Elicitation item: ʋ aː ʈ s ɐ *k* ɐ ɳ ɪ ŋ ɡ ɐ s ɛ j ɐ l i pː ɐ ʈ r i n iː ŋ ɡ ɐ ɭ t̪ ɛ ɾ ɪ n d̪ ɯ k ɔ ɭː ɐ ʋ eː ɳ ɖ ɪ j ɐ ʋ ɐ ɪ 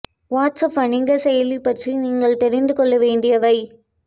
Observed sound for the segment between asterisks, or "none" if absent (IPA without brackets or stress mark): p